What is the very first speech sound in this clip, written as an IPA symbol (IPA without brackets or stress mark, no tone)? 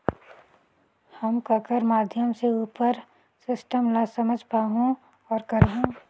h